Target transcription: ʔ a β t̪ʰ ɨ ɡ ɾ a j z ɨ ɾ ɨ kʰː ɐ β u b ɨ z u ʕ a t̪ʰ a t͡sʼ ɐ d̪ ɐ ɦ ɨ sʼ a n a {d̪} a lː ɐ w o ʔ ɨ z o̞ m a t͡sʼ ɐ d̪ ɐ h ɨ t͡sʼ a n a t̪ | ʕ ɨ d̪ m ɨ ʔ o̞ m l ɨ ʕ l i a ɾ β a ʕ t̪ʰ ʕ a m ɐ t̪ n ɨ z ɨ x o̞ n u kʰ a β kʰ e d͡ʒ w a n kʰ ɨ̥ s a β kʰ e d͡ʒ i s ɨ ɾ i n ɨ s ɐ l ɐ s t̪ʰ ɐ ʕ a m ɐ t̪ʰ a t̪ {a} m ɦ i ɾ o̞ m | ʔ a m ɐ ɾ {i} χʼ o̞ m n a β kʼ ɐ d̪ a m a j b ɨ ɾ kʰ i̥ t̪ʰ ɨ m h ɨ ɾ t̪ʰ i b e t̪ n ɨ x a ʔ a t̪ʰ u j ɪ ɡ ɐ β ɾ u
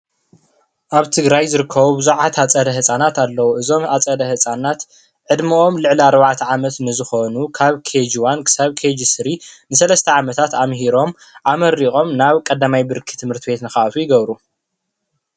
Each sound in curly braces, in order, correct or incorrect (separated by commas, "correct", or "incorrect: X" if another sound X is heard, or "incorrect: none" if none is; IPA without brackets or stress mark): incorrect: t̪, correct, correct